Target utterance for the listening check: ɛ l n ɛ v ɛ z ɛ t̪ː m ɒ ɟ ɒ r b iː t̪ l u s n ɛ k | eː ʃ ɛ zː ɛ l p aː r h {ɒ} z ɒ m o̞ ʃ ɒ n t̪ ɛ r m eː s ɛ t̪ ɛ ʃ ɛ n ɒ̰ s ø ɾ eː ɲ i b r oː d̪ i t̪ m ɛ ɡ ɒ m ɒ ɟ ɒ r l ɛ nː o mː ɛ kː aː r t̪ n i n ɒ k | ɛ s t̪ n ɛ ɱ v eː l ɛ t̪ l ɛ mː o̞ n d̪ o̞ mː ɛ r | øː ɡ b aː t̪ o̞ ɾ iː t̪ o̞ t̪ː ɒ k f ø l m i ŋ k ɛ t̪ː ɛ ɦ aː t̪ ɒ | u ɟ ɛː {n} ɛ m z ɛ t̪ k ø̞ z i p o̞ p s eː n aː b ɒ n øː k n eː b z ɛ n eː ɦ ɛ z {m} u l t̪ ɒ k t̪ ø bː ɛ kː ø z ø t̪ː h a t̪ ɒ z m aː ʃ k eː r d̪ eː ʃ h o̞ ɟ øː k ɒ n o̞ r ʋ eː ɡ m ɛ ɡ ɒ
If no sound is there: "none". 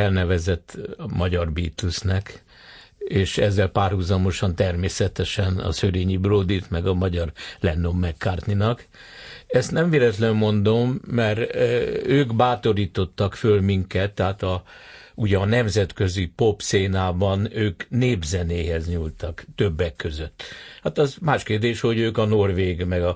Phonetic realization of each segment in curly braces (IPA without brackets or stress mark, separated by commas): u, n, ɲ